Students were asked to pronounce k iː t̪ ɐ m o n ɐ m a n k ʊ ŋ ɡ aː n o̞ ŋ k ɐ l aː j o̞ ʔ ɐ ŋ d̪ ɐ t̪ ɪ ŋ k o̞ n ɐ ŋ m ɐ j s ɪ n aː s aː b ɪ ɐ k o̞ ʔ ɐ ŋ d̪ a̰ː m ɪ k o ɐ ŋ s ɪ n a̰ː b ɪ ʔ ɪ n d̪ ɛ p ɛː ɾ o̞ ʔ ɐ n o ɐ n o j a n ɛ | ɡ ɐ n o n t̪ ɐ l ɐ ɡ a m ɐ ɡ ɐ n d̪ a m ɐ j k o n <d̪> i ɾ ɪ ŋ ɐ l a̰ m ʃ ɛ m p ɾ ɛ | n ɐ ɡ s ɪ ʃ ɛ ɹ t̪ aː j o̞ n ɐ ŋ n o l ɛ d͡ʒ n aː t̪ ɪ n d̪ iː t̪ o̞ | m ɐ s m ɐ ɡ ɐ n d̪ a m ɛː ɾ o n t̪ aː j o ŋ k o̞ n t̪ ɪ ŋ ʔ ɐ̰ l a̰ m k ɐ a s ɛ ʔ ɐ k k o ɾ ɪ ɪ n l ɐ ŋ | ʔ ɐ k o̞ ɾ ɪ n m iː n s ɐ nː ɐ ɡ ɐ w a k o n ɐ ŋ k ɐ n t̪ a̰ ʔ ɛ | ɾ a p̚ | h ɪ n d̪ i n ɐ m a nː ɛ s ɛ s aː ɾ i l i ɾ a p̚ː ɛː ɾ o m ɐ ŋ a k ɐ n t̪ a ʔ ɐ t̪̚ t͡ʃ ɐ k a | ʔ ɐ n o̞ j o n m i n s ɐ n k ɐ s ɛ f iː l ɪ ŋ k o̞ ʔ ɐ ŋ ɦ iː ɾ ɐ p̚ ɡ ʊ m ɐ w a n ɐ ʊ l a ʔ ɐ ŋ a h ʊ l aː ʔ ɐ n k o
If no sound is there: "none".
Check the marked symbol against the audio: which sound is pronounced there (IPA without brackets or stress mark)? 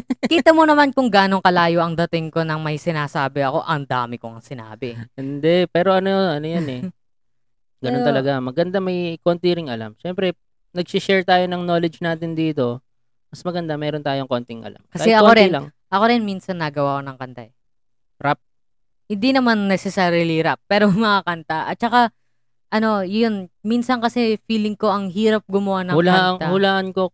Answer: t̪